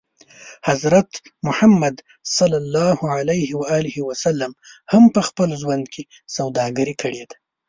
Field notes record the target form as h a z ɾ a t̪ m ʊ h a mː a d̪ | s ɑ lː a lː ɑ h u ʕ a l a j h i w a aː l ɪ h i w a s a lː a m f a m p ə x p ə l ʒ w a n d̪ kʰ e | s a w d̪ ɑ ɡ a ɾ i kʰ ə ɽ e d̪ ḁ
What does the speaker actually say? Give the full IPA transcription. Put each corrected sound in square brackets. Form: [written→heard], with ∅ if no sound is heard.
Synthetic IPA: h a z ɾ a t̪ m ʊ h a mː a d̪ | s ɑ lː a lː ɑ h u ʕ a l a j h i w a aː l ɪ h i w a s a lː a m [f→h] a m p ə x p ə l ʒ w a n d̪ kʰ e | s a w d̪ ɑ ɡ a ɾ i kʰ ə ɽ e d̪ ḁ